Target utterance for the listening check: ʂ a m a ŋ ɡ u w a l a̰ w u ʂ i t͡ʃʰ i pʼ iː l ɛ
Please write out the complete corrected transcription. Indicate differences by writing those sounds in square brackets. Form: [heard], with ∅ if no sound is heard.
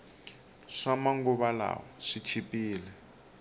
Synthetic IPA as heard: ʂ a m a ŋ ɡ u [β] a l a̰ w [ɔ] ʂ i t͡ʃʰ i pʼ iː l ɛ

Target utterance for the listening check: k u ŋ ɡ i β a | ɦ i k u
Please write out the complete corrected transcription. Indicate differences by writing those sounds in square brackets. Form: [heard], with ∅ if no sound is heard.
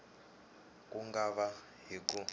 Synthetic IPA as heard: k u ŋ ɡ [a] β a | ɦ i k u

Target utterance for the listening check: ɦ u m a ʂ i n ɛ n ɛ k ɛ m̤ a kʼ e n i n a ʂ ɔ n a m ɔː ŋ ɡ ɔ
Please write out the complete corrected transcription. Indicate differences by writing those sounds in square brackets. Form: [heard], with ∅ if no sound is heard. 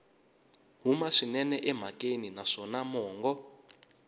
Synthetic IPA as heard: ɦ u m a ʂ i n ɛ n ɛ [ʔ] ɛ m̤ a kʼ e n i n a ʂ ɔ n a m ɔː ŋ ɡ ɔ

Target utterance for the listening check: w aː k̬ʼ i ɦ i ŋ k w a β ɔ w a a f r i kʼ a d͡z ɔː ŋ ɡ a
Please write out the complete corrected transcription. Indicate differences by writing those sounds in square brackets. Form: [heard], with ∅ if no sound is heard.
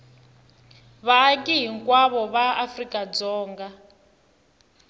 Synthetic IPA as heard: [β] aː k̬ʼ i ɦ i ŋ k w a β ɔ [β] a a f r i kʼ a d͡z ɔː ŋ ɡ a

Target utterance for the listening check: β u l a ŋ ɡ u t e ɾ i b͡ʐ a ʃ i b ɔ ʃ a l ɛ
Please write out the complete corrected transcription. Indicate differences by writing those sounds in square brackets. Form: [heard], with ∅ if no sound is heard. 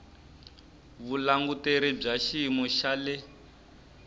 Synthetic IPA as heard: β u l a ŋ ɡ u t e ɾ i b͡ʐ a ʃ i [m] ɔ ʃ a l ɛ

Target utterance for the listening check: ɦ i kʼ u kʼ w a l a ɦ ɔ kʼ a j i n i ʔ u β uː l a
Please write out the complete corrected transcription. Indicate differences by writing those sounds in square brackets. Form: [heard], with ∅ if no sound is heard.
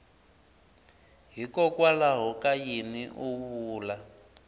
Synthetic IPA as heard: ɦ i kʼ [ɔ] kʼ w a l a ɦ ɔ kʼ a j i n i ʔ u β uː l a

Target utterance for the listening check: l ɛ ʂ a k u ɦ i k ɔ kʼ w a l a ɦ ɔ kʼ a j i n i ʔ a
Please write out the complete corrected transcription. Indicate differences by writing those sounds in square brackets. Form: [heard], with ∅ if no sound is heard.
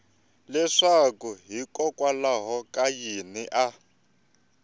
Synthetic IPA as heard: l ɛ ʂ a k u ɦ i k ɔ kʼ w a l a ɦ ɔ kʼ a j i n i ʔ a

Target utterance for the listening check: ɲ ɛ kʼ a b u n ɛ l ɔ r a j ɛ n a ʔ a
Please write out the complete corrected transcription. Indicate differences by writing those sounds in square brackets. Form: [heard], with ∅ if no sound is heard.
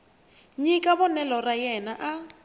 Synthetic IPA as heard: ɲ [i] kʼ a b [ɔ] n ɛ l ɔ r a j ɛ n a ʔ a

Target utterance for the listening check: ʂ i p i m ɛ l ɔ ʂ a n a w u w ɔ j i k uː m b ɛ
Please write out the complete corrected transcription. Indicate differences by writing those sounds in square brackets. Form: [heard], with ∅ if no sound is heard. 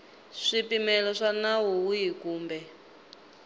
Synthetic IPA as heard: ʂ i p i m ɛ l ɔ ʂ a n a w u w [u] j i k uː m b ɛ

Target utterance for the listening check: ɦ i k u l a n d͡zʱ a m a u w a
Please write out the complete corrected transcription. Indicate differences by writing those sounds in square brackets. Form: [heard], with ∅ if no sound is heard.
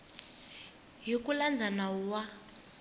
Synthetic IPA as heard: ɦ i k u l a n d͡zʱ a [n] a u w a

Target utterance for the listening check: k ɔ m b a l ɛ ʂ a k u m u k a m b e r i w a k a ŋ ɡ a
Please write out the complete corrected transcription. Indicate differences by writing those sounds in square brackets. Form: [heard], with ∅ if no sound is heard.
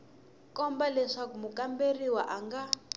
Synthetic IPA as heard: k ɔ m b a l ɛ ʂ a k u m u k a m b e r i w a [ʔ] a ŋ ɡ a

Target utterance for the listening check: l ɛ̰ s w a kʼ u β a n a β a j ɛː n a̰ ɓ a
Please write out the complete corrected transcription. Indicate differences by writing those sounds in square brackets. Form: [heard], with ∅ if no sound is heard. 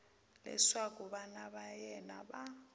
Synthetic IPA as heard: l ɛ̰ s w a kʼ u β a n a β a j [ɛ] n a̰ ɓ a

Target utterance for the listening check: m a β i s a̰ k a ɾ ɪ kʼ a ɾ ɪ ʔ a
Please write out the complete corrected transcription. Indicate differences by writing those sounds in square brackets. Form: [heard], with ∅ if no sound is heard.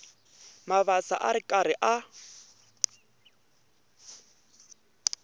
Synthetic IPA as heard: m a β [a] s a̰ [ʔ] a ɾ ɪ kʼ a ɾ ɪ ʔ a

